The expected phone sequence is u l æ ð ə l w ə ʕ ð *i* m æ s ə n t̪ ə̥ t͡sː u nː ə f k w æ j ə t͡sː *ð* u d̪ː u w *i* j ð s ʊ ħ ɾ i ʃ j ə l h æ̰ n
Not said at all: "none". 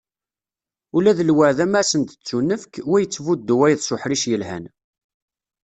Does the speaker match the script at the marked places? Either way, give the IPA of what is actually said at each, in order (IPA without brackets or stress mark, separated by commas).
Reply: æ, v, æ